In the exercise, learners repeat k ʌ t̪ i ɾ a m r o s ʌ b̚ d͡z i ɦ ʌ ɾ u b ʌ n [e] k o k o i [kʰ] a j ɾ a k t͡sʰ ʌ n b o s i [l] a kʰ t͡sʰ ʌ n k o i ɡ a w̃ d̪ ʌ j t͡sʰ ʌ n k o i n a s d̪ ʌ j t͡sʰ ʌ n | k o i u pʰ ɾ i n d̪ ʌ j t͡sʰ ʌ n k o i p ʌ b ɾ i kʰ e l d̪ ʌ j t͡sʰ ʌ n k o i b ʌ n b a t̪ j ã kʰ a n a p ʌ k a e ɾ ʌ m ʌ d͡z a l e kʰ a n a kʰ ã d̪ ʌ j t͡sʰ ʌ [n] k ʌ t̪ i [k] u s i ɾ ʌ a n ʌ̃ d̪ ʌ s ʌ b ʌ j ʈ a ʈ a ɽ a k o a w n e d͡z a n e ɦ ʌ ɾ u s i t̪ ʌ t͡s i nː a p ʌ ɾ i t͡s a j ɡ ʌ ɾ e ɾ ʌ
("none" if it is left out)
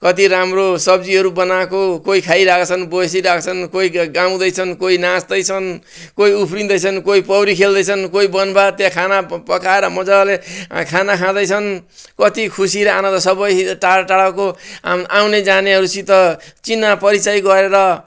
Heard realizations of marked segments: a, kʰ, ɾ, n, kʰ

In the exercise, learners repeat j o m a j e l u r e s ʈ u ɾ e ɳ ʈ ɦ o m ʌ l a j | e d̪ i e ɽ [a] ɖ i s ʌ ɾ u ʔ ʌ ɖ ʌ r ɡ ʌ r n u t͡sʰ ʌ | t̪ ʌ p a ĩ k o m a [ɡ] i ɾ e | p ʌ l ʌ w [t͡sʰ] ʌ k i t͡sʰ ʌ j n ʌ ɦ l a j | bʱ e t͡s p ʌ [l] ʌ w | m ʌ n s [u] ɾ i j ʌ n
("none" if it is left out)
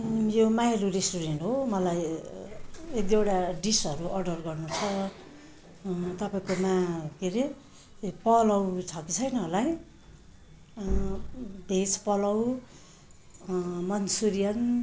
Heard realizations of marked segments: a, k, t͡sʰ, l, u

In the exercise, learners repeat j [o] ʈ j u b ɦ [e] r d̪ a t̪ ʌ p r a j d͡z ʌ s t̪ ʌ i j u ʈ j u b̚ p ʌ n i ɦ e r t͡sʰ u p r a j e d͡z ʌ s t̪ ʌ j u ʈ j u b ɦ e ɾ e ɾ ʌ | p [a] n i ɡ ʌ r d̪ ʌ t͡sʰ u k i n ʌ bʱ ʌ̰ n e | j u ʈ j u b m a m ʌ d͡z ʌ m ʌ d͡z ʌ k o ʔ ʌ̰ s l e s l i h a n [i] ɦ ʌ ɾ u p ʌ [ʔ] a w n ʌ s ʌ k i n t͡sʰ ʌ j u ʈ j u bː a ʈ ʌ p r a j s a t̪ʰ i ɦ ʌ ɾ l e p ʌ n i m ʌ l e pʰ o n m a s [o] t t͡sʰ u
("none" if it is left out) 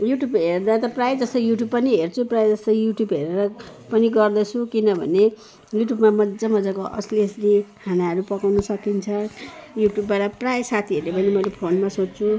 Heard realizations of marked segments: u, e, ʌ, a, k, o

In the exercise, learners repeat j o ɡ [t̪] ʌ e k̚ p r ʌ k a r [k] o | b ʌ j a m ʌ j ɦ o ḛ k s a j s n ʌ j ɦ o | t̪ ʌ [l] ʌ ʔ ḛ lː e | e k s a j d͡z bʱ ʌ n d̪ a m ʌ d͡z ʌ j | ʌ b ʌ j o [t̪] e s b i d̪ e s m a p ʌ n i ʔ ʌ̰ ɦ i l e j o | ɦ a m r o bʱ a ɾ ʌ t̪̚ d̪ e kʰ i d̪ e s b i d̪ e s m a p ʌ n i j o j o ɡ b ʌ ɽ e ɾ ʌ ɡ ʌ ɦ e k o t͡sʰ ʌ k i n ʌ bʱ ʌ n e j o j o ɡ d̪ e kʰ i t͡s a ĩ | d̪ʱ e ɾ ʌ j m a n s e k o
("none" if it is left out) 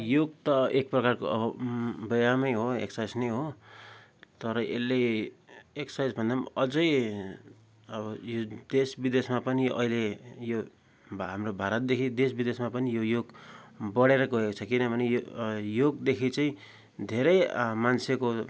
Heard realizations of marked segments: t̪, k, ɾ, d̪

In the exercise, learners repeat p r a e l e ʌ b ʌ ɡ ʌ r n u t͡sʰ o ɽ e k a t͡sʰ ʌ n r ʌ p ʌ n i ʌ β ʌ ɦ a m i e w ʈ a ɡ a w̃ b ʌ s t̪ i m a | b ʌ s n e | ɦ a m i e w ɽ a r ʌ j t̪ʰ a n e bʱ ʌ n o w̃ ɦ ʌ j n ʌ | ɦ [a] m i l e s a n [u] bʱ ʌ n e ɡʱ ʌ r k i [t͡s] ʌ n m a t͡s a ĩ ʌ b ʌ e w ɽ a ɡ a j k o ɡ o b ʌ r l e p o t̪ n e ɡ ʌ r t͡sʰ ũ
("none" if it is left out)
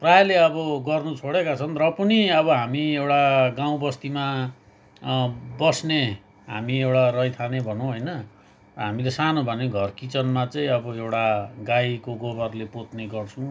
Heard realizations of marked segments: a, o, t͡s

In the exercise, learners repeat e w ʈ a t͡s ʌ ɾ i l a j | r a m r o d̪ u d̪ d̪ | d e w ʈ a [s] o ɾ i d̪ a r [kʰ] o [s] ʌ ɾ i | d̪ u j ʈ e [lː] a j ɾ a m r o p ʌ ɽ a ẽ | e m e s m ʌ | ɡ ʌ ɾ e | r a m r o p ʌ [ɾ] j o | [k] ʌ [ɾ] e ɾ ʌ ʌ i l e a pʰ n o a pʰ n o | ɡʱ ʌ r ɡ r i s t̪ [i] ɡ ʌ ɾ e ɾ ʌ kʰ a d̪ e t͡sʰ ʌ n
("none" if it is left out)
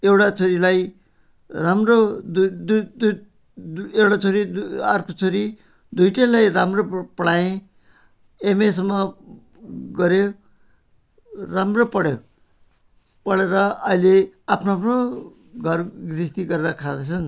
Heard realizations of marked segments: t͡s, k, t͡s, l, ɽ, p, ɽ, i

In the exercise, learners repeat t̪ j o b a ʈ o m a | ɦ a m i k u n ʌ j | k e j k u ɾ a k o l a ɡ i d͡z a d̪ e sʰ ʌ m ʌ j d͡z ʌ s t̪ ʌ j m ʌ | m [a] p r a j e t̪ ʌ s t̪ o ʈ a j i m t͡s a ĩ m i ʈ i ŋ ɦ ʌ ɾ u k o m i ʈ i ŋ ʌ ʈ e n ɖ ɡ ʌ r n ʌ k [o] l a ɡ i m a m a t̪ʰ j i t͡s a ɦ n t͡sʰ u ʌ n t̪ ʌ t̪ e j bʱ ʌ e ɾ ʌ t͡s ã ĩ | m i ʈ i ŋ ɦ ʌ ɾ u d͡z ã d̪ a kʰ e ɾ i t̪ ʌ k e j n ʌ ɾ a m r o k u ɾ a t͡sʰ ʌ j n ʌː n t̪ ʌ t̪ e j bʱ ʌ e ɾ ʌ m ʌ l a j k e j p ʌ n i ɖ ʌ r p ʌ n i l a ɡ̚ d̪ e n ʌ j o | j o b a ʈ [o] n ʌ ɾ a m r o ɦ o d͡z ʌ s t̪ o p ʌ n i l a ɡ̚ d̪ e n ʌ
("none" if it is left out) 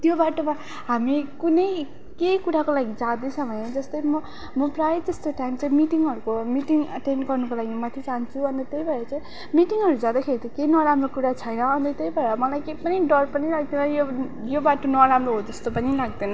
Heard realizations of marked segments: ʌ, o, o

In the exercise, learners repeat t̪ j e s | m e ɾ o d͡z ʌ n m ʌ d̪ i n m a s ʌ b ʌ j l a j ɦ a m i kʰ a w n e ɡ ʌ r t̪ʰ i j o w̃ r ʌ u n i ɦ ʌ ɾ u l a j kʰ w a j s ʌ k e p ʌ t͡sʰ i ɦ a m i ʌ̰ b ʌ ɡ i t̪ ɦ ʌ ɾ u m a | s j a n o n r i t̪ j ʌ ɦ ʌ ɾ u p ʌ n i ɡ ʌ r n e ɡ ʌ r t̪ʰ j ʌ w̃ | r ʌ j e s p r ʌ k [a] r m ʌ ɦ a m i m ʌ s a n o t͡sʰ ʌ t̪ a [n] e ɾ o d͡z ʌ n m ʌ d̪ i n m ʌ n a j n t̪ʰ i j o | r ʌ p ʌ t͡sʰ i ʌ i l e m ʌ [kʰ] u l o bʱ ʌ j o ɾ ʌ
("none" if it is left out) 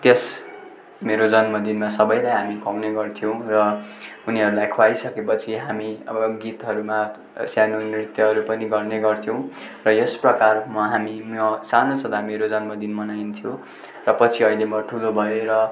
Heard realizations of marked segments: a, m, ʈʰ

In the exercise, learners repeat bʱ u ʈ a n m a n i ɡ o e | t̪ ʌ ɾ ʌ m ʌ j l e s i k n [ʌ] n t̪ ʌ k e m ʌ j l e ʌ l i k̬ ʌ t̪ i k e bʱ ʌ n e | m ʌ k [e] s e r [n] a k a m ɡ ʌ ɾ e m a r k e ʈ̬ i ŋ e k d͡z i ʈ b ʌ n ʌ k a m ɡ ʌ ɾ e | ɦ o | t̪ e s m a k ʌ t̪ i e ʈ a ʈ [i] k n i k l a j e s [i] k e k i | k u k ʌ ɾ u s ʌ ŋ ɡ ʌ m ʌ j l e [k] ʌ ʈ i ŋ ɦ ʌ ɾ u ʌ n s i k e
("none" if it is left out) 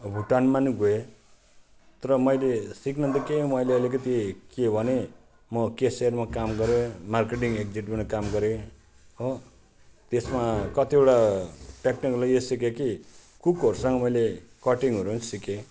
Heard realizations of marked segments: ʌ, e, m, e, i, k

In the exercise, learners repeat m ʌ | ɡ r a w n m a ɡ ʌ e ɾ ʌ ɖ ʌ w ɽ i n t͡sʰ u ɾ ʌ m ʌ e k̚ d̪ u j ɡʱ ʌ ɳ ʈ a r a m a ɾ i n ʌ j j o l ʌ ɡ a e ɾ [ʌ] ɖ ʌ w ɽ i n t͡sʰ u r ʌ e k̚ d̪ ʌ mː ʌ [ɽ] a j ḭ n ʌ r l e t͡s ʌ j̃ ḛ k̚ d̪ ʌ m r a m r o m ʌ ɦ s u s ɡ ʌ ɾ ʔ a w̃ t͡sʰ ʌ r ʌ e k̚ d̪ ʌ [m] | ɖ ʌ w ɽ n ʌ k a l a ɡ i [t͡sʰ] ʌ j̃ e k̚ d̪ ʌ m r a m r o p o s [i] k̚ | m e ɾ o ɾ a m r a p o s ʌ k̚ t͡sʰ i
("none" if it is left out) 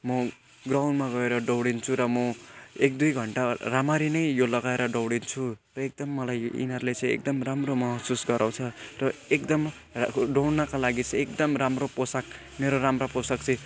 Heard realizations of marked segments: ʌ, l, m, t͡s, a

